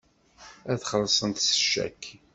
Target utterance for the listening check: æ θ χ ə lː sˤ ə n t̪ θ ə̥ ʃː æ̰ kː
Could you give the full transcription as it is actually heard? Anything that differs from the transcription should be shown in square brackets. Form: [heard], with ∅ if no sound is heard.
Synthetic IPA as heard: æ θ χ ə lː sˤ ə n t̪ [s] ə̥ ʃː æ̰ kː